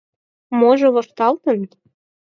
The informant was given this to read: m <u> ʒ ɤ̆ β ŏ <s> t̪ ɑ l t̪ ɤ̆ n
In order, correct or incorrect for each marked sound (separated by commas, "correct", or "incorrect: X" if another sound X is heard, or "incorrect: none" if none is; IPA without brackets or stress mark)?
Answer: incorrect: o, incorrect: ʃ